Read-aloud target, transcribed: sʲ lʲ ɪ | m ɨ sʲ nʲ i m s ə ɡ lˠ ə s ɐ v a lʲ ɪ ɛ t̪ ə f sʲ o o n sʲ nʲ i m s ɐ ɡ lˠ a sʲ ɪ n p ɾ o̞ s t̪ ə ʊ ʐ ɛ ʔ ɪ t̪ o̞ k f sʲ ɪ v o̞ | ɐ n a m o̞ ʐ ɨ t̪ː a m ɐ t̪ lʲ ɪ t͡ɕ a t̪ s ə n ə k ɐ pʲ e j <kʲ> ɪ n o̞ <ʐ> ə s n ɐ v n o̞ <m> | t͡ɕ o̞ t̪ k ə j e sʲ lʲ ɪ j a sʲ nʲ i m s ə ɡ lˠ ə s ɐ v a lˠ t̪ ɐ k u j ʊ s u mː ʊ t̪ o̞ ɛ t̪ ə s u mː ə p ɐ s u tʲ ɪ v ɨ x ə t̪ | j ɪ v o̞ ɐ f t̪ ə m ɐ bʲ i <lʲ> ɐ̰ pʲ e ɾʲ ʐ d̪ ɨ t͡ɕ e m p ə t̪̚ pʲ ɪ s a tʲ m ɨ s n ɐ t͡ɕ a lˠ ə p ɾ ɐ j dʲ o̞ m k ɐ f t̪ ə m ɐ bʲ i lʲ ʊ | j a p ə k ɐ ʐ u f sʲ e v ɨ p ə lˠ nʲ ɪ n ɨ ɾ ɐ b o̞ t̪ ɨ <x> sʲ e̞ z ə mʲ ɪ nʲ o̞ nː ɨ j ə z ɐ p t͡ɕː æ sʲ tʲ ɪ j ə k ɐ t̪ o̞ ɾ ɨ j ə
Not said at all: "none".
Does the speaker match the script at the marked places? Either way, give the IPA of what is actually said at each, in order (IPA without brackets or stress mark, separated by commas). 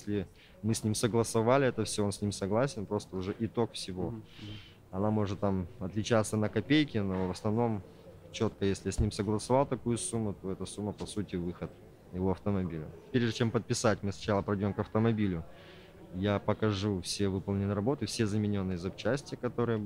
kʲ, v, m, lʲ, f